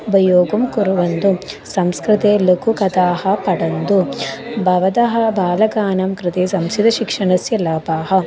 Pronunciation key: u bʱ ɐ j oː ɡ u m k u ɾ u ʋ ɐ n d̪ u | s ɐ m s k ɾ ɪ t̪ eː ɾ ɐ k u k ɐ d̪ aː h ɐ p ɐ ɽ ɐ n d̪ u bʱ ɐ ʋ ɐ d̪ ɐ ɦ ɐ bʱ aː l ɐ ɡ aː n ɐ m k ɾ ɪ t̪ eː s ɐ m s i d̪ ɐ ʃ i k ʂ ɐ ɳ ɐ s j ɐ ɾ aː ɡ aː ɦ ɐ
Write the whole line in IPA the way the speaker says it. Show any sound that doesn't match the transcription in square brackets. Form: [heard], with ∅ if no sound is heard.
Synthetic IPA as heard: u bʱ ɐ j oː ɡ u m k u ɾ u ʋ ɐ n d̪ u | s ɐ m s k ɾ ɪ t̪ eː [l] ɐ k u k ɐ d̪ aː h ɐ p ɐ ɽ ɐ n d̪ u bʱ ɐ ʋ ɐ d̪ ɐ ɦ ɐ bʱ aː l ɐ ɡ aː n ɐ m k ɾ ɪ t̪ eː s ɐ m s i d̪ ɐ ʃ i k ʂ ɐ ɳ ɐ s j ɐ [l] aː [b] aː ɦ ɐ